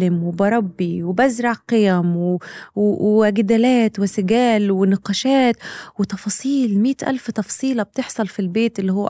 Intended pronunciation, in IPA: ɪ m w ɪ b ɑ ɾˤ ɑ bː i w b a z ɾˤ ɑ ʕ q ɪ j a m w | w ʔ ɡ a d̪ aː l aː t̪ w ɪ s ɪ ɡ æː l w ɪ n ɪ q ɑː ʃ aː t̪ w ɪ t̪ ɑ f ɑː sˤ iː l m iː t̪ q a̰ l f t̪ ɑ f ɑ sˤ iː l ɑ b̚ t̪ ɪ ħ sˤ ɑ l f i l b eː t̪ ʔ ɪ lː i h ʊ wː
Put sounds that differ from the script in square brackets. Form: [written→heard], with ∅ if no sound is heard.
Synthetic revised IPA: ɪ m w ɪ b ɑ ɾˤ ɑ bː i w b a z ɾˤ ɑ ʕ q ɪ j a m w | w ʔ ɡ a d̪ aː l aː t̪ w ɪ s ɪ ɡ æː l w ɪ n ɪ q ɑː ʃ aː t̪ w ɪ t̪ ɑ f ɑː sˤ iː l m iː t̪ [q→ʔ] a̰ l f t̪ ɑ f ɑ sˤ iː l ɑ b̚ t̪ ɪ ħ sˤ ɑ l f i l b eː t̪ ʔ ɪ lː i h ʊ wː